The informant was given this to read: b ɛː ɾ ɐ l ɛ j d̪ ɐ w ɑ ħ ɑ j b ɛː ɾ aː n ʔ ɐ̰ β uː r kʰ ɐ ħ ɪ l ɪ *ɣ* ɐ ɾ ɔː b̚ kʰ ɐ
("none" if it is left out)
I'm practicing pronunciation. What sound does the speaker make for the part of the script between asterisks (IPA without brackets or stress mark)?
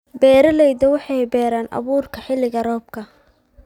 ɣ